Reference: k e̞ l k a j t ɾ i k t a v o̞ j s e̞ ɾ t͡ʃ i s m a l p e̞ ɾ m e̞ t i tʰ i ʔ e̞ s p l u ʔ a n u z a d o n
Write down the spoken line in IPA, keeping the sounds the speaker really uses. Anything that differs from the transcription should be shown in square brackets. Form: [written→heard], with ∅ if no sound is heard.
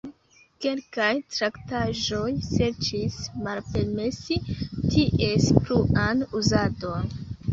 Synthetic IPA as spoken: k e̞ l k a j t ɾ [i→a] k t a [v→ʒ] o̞ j s e̞ ɾ t͡ʃ i s m a l p e̞ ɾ m e̞ [t→s] i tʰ i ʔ e̞ s p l u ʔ a n u z a d o n